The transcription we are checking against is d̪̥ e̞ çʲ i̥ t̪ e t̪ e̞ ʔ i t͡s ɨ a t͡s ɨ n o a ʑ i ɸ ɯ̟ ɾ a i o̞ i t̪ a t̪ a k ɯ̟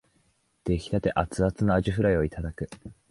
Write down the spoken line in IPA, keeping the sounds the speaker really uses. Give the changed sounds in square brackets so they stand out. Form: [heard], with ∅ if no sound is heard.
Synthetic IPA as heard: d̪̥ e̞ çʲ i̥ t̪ [a] t̪ e̞ ʔ [a] t͡s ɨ a t͡s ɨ n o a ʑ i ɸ ɯ̟ ɾ a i o̞ i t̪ a [d̪] a k ɯ̟